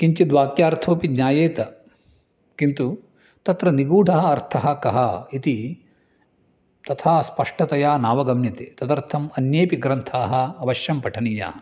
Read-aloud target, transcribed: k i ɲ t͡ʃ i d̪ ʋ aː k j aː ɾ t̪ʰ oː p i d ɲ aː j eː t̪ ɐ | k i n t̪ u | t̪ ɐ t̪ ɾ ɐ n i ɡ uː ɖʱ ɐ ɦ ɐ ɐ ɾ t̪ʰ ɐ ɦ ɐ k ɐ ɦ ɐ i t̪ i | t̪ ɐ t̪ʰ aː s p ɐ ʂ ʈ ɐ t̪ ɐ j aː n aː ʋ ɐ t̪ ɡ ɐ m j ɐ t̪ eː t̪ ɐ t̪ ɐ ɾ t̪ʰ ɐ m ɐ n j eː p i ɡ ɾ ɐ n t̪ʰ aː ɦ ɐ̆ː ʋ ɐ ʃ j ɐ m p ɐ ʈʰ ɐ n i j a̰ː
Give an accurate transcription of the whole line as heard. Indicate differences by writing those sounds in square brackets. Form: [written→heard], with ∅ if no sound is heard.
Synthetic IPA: k i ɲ t͡ʃ i d̪ ʋ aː k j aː ɾ t̪ʰ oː p i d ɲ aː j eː t̪ ɐ | k i n t̪ u | t̪ ɐ t̪ ɾ ɐ n i ɡ uː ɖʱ ɐ ɦ ɐ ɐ ɾ t̪ʰ ɐ ɦ ɐ k ɐ ɦ ɐ i t̪ i | t̪ ɐ t̪ʰ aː s p ɐ ʂ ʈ ɐ t̪ ɐ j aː n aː ʋ ɐ [t̪→∅] ɡ ɐ m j ɐ t̪ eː t̪ ɐ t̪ ɐ ɾ t̪ʰ ɐ m ɐ n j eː p i ɡ ɾ ɐ n t̪ʰ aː ɦ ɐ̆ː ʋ ɐ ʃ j ɐ m p ɐ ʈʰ ɐ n i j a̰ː